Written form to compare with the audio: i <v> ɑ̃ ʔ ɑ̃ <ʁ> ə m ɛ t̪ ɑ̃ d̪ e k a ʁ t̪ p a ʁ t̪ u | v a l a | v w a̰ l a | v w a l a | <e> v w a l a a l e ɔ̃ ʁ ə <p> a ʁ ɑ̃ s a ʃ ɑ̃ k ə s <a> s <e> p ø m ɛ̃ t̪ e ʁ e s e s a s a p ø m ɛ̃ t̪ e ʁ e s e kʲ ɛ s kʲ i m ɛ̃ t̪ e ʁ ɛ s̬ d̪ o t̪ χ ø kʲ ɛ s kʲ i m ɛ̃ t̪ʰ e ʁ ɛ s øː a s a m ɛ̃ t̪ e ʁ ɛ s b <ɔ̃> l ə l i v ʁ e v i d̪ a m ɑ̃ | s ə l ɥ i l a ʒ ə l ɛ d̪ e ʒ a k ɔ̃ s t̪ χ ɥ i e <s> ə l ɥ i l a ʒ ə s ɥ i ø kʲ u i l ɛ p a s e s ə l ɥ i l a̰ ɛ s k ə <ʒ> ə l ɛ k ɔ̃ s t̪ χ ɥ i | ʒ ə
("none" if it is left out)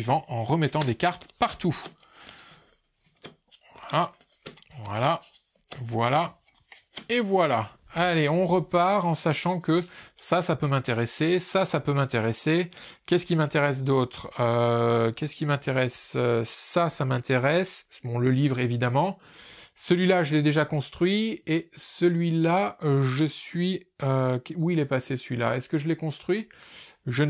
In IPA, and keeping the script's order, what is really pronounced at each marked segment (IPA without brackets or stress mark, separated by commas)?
v, ʁ, e, p, a, a, ɔ̃, s, ʒ